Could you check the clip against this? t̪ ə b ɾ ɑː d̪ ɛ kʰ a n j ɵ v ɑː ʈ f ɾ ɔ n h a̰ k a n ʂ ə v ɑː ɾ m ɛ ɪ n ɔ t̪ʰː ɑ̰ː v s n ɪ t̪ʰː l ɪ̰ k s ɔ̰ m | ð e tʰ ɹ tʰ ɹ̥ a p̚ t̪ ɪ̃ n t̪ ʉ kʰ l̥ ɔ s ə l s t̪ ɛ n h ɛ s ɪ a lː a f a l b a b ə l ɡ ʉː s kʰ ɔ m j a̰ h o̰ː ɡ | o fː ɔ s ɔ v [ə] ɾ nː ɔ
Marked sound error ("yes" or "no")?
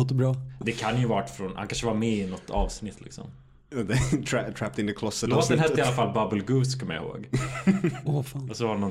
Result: yes